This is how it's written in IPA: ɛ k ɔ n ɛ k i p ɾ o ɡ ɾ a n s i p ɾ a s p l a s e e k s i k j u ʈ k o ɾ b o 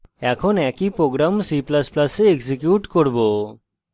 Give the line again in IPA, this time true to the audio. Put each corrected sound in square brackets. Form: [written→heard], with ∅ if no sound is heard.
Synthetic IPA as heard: ɛ [k→kʰ] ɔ n ɛ k i p ɾ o ɡ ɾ a [n→m] s i p [ɾ→l] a s p l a s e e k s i k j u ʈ k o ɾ b o